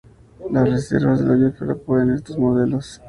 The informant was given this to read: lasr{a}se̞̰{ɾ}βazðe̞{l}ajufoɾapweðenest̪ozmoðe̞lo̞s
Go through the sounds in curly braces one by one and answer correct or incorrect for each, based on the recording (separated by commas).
incorrect, correct, correct